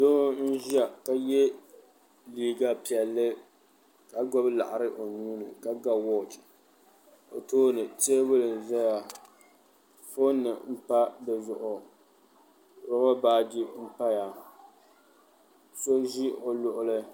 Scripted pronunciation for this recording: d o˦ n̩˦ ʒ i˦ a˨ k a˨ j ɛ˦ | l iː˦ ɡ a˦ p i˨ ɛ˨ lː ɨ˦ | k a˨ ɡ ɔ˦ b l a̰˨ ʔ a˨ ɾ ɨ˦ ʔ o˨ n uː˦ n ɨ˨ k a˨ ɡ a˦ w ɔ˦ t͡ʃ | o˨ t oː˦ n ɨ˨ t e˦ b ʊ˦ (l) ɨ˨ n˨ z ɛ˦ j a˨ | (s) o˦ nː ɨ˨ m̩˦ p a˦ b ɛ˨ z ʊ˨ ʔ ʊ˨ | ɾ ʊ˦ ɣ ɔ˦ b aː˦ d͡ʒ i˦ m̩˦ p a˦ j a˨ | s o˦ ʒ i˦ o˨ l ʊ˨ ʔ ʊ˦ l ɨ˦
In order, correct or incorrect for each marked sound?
correct, incorrect: f

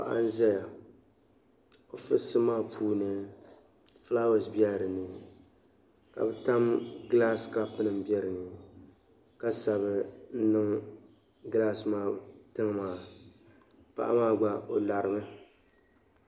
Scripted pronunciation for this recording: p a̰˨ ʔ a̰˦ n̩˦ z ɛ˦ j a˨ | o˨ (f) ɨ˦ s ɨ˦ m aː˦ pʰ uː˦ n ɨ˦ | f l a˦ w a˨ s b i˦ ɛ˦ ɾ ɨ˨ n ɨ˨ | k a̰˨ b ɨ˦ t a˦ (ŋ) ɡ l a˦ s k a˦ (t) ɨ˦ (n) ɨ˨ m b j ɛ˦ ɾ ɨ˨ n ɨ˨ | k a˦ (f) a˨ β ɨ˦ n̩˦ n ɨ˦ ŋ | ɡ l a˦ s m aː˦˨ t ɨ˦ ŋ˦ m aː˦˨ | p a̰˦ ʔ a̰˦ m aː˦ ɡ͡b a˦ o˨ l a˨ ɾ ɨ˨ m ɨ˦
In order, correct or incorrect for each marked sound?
correct, incorrect: m, incorrect: p, correct, incorrect: s

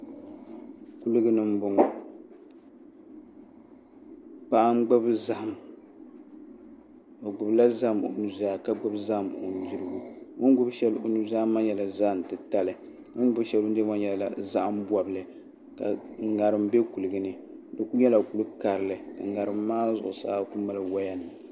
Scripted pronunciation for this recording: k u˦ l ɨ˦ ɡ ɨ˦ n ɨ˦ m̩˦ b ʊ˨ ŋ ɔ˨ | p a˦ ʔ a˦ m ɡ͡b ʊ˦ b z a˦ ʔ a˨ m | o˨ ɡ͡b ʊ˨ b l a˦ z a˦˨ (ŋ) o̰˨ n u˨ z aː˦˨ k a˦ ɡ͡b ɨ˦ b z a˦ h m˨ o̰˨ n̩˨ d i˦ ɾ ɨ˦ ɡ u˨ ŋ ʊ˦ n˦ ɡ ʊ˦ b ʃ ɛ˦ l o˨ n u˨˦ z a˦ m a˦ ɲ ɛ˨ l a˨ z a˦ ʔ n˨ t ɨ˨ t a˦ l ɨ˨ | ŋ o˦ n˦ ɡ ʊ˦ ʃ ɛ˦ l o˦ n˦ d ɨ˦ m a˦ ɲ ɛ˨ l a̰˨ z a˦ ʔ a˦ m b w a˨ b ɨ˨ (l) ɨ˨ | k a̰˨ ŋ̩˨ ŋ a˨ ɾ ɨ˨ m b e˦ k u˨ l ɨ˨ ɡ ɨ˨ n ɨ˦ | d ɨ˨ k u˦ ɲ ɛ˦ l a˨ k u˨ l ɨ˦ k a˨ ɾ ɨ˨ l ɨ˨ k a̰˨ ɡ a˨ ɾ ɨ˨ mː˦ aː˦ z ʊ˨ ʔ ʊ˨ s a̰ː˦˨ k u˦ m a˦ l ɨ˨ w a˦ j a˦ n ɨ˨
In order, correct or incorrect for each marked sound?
incorrect: m, correct

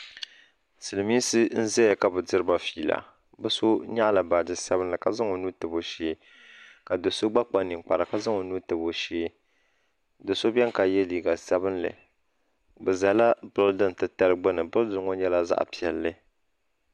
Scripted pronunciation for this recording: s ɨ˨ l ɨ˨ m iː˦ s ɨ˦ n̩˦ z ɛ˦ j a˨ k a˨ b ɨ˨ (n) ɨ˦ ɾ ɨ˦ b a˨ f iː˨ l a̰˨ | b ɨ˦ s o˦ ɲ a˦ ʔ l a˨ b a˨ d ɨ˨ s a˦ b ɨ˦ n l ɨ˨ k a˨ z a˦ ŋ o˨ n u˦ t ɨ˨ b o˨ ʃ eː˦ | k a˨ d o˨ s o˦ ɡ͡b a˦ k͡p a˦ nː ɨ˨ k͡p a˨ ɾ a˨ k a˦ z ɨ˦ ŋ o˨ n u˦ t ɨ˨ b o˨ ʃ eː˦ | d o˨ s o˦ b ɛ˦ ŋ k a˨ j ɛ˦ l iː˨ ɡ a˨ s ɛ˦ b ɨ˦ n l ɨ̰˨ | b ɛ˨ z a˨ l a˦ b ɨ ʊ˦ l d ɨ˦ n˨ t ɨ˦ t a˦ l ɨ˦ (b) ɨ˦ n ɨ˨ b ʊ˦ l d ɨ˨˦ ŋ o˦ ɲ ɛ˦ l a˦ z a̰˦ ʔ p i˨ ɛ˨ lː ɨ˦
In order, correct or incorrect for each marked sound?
incorrect: d, incorrect: ɡ͡b

